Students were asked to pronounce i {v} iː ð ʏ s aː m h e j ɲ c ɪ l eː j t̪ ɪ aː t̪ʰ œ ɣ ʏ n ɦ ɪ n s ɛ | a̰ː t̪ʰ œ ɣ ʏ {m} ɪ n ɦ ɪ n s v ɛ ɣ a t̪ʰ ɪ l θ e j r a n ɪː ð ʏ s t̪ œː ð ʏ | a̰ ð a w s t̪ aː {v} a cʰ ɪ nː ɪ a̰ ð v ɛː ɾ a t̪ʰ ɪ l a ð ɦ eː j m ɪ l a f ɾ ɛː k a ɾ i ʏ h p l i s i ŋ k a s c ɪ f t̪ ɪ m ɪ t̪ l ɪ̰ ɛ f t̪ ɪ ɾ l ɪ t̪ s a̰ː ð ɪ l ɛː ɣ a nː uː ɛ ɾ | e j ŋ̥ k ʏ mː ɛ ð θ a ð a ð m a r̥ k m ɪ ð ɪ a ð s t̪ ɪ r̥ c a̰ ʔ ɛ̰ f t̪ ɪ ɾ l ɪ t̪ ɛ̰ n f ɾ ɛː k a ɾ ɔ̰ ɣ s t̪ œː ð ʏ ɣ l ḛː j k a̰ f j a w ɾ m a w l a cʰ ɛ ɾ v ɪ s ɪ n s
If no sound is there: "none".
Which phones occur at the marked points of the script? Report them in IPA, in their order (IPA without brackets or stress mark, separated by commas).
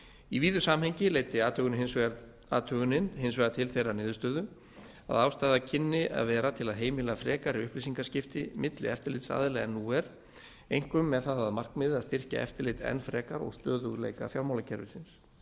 v, n, ð